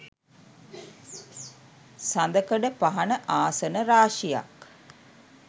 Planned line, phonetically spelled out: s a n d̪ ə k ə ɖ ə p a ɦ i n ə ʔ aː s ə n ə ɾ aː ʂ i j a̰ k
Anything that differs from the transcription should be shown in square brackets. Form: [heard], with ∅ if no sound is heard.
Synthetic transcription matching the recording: s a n d̪ ə k ə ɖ ə p a ɦ [a] n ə ʔ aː s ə n ə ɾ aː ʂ i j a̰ k